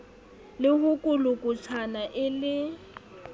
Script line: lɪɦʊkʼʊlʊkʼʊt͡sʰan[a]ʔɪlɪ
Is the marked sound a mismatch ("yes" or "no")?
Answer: no